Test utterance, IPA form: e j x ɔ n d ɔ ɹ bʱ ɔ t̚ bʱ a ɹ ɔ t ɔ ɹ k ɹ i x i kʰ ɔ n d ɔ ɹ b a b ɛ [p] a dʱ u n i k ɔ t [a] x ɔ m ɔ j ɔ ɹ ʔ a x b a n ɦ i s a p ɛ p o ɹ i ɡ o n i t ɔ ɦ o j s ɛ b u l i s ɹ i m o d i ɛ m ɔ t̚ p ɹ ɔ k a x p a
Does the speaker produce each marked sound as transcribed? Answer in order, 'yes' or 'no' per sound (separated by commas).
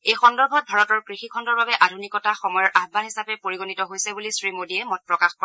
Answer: no, yes